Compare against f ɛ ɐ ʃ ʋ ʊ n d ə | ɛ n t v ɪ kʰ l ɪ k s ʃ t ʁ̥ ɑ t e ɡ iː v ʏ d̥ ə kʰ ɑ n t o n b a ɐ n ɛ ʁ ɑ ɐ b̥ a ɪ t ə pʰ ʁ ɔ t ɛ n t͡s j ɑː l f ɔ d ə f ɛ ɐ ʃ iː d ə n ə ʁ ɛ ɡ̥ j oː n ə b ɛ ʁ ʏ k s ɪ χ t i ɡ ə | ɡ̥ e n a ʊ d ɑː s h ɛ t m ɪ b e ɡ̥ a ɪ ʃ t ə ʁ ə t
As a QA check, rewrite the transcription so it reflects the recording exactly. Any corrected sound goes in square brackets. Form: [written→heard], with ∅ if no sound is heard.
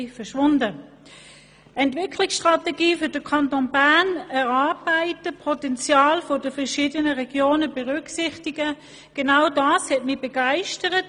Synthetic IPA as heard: f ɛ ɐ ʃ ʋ ʊ n d ə | ɛ n t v ɪ kʰ l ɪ k s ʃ t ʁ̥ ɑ t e ɡ iː [v→f] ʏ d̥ ə kʰ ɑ n t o n b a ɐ n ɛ ʁ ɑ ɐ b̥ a ɪ t ə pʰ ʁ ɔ t ɛ n t͡s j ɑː l f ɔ d ə f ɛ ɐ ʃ iː d ə n ə ʁ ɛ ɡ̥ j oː n ə b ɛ ʁ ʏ k s ɪ χ t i ɡ ə | ɡ̥ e n a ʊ d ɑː s h ɛ t m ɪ b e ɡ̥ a ɪ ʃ t ə ʁ ə t